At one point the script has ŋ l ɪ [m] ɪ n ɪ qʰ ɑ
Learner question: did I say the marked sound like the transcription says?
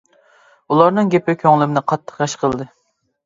yes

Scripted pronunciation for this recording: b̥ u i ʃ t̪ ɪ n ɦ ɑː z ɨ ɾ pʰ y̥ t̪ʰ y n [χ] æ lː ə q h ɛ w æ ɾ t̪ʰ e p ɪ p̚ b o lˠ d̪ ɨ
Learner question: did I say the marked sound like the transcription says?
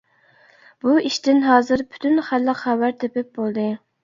yes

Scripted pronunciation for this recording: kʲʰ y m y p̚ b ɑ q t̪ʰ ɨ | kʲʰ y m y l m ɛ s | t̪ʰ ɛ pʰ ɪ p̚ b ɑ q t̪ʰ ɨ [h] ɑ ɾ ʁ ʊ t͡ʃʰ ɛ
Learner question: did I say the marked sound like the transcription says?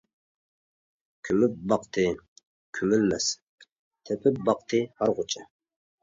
yes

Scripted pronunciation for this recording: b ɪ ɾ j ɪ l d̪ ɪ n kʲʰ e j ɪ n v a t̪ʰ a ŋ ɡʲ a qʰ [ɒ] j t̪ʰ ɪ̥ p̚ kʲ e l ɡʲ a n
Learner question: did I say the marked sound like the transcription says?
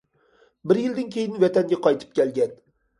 yes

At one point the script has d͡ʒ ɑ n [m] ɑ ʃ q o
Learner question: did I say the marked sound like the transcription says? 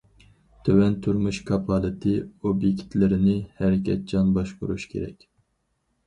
no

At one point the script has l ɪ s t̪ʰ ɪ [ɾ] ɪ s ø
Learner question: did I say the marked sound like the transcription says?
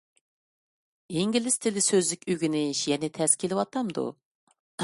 no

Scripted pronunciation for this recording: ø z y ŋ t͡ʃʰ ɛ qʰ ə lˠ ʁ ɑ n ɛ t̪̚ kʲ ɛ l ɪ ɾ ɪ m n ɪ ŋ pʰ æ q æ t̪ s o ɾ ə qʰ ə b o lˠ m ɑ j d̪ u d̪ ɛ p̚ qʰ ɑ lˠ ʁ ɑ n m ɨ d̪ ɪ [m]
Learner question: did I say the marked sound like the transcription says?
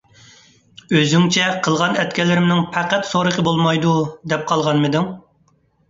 no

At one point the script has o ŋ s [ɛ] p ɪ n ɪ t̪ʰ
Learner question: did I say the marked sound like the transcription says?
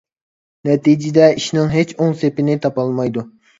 no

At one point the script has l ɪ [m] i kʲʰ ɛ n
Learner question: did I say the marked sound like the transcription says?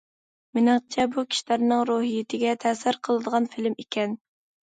yes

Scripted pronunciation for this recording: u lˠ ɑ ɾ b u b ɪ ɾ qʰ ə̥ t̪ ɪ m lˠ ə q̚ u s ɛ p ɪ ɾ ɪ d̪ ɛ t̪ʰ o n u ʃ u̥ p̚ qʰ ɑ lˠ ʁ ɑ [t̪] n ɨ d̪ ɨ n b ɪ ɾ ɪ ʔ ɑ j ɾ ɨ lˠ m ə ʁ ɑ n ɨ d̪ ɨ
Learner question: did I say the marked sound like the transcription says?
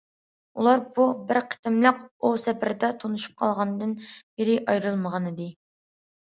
no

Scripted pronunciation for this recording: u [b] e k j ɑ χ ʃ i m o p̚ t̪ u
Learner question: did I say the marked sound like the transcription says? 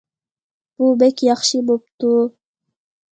yes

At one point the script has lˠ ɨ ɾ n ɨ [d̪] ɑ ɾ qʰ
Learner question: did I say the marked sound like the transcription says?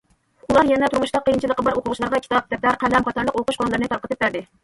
no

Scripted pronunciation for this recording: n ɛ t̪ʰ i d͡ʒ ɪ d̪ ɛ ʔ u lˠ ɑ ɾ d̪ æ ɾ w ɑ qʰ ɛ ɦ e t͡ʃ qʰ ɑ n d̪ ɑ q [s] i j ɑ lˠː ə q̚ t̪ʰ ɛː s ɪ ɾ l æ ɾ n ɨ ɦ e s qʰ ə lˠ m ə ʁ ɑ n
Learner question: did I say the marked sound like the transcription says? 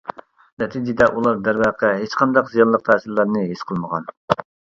no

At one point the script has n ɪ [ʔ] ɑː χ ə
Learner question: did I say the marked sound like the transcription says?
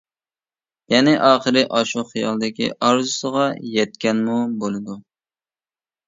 yes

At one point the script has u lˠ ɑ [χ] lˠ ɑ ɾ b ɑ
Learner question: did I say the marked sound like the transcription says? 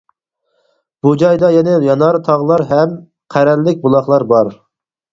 yes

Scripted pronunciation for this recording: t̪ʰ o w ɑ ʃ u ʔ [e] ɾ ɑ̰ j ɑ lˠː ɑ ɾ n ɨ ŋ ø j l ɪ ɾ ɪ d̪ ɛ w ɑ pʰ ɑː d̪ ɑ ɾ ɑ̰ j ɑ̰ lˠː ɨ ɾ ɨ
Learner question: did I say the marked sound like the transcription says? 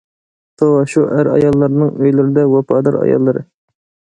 no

